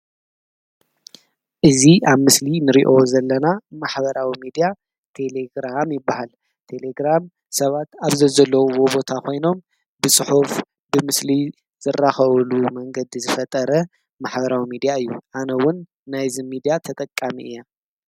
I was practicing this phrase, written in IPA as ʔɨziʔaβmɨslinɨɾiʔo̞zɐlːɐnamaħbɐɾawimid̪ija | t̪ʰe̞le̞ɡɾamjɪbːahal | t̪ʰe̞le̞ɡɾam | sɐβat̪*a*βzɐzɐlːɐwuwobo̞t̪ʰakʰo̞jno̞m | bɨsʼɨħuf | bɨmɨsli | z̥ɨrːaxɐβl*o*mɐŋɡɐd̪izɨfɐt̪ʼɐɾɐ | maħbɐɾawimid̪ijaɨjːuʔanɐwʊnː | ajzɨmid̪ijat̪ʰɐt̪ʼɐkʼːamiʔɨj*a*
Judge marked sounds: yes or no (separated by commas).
yes, no, yes